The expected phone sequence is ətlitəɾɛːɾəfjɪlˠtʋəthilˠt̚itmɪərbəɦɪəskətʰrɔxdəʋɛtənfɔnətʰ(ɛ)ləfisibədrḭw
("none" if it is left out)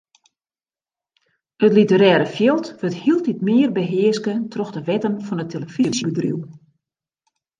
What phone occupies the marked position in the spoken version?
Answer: e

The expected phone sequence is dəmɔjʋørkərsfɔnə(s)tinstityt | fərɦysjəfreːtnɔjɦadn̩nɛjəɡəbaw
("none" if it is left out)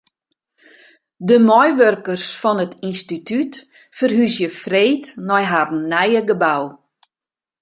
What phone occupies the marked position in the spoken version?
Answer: none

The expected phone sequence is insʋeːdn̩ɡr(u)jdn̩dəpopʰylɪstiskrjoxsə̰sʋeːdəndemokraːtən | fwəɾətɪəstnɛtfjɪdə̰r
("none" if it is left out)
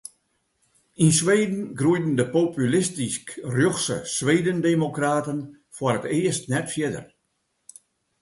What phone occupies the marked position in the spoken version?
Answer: u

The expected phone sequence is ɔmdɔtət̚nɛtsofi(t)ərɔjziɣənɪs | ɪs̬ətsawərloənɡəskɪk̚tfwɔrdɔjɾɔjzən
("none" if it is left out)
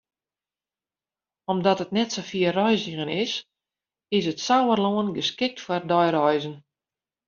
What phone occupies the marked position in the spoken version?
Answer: none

